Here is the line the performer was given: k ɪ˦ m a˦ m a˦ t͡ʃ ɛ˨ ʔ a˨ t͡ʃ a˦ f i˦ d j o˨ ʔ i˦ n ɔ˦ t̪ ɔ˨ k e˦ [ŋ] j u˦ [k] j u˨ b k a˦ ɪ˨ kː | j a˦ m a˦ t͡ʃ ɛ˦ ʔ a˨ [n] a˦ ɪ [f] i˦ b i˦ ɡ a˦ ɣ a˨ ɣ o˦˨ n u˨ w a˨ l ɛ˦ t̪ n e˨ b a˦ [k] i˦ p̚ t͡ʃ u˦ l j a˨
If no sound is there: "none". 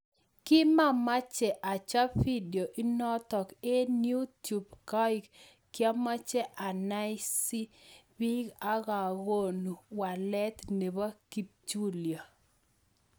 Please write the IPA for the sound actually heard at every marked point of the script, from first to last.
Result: n, t, n, s, k

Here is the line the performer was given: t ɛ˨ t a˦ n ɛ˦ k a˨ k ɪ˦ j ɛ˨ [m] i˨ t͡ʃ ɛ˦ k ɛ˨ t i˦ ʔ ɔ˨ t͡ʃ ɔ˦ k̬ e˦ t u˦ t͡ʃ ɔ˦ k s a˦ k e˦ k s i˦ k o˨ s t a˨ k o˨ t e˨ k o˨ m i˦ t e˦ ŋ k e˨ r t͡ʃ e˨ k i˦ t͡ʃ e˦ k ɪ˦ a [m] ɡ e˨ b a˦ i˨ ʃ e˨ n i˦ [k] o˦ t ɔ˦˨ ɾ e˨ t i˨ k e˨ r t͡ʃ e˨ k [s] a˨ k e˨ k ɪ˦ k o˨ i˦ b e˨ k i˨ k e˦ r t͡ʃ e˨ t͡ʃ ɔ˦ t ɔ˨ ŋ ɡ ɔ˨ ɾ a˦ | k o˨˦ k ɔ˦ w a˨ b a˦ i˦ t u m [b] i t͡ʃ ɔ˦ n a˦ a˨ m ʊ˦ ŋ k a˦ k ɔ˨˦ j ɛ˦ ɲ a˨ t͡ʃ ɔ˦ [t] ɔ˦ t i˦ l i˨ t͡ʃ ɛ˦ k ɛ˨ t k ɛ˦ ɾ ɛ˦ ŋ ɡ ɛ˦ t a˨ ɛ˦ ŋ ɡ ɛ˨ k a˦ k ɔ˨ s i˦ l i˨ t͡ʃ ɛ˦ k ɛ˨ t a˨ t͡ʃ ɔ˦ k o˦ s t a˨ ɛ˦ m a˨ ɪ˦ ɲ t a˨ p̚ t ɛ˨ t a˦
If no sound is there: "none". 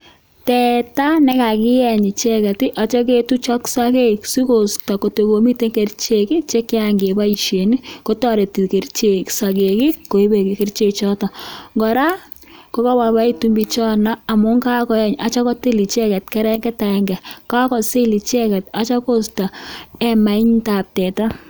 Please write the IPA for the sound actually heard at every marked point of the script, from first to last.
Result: ɲ, ŋ, k, s, b, k

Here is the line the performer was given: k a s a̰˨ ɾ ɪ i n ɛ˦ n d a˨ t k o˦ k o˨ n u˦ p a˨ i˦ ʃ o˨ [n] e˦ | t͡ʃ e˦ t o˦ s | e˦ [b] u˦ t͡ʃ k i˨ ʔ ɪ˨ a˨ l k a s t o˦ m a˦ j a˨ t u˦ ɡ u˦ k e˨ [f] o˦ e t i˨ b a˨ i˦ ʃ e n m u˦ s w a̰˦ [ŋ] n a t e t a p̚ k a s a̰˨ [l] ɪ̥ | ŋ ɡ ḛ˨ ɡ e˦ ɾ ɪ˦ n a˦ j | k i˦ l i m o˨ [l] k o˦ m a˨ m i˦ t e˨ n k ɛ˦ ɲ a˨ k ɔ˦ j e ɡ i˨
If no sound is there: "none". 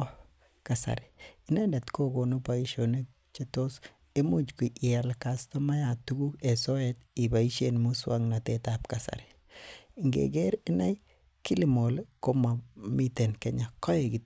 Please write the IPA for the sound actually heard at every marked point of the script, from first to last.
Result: n, m, s, ŋ, ɾ, l

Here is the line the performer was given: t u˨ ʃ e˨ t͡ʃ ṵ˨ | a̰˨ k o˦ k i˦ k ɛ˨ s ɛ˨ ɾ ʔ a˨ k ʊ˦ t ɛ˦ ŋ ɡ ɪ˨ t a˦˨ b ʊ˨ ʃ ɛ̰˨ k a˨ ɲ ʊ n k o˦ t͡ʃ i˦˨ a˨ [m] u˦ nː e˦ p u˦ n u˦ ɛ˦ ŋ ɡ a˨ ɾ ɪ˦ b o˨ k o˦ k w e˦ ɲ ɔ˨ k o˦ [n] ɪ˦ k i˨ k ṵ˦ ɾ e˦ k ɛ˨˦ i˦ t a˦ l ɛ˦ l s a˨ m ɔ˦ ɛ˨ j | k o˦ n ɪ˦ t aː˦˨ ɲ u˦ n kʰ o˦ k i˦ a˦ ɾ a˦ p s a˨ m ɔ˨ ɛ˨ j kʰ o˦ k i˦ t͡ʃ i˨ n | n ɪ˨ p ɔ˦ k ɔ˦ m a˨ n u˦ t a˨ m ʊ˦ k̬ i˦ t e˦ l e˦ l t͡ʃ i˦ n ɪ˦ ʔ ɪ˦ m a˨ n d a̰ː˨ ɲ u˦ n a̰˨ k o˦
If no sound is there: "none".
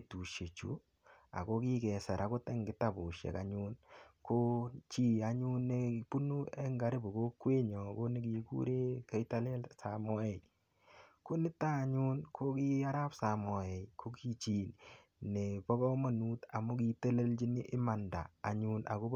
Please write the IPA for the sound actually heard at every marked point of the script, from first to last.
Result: ɲ, n

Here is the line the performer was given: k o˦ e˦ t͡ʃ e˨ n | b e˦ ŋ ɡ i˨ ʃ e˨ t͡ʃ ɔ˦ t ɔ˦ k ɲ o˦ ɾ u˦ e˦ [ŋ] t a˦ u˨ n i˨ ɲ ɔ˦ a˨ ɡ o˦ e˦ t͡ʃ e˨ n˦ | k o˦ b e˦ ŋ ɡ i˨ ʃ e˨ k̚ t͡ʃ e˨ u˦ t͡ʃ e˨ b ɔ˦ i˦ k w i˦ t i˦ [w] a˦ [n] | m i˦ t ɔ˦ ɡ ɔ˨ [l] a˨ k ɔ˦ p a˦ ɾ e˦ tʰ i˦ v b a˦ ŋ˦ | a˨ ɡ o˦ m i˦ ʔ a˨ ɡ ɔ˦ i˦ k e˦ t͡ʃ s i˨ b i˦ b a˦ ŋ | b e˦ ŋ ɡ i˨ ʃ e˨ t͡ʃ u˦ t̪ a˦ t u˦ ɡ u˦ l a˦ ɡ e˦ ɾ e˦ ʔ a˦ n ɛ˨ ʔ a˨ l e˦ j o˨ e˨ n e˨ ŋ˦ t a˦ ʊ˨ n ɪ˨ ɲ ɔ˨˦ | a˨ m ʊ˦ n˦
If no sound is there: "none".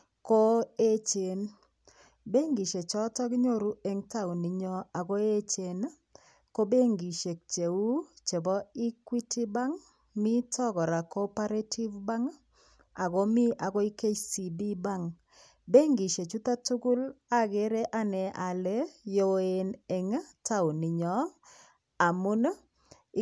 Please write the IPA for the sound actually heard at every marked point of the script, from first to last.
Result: ŋ, b, ŋ, ɾ

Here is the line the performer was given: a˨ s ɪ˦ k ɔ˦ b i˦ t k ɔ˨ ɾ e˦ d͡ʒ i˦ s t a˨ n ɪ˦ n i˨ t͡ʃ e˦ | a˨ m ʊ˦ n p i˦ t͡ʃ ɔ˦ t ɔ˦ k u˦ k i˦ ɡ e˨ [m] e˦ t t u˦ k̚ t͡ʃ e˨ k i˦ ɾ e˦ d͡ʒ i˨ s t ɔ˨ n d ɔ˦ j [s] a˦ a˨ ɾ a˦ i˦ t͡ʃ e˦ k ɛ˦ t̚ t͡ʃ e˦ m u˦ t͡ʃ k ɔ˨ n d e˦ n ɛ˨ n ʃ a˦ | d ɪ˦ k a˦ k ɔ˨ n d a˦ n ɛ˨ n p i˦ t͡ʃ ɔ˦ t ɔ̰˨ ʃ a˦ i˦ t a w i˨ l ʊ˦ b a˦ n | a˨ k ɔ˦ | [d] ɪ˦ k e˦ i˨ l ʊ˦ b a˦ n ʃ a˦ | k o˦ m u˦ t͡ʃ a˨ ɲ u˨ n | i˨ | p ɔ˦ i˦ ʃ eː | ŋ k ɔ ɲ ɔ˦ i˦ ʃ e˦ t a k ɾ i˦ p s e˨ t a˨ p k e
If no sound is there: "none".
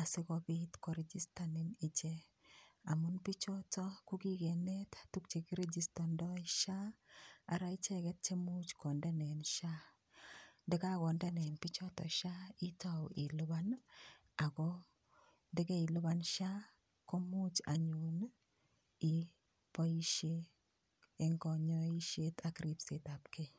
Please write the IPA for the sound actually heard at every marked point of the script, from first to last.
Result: n, ʃ, d

